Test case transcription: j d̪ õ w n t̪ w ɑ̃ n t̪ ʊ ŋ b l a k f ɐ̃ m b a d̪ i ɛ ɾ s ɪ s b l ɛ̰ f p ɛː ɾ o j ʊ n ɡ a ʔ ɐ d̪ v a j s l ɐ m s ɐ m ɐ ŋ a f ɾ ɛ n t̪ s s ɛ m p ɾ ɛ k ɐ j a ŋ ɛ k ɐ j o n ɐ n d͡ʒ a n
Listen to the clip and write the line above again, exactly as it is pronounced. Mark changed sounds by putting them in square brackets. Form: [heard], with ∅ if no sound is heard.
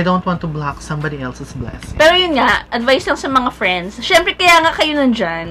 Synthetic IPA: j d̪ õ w n t̪ w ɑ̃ n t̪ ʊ [∅] b l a k [s] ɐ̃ m b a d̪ i ɛ [l] s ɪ s b l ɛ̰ [s] p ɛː ɾ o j ʊ n [ŋ] a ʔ ɐ d̪ v a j s l ɐ [ŋ] s ɐ m ɐ ŋ a f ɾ ɛ n [d̪] s [ʃ] ɛ m p ɾ ɛ k ɐ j a ŋ [a] k ɐ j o n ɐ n d͡ʒ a n